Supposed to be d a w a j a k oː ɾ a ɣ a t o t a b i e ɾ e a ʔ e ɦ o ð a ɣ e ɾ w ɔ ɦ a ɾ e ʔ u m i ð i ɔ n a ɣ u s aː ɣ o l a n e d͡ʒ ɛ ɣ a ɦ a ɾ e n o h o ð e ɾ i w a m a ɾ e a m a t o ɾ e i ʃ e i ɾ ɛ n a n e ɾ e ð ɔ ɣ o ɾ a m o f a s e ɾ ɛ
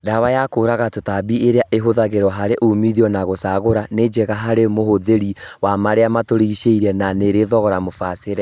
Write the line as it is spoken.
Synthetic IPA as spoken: d a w a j a k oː ɾ a ɣ a t o t a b i e ɾ e a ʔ e ɦ o ð a ɣ e ɾ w ɔ ɦ a ɾ e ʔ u m i ð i ɔ n a ɣ o s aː ɣ o ɾ a n e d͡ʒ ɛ ɣ a ɦ a ɾ e m o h o ð e ɾ i w a m a ɾ e a m a t o ɾ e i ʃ e i ɾ ɛ n a n e ɾ e ð ɔ ɣ ɔ ɾ a m o f a s e ɾ ɛ